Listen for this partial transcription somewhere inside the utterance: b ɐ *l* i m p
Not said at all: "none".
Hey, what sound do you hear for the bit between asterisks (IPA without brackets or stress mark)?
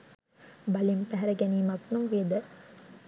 l